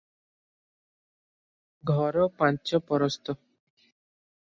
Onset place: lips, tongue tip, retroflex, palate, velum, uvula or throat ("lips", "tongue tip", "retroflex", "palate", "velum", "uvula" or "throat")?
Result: velum